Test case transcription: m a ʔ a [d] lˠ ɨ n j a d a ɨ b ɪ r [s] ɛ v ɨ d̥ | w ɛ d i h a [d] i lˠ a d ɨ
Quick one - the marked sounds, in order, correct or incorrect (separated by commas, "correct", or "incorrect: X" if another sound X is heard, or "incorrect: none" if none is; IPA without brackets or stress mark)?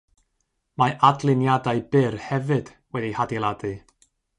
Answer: correct, incorrect: h, correct